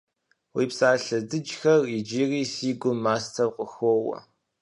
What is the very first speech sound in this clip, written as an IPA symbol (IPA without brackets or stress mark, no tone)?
w